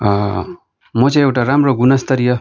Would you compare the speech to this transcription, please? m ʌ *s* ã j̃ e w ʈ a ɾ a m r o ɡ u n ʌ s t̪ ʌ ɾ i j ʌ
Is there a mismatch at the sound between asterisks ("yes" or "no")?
yes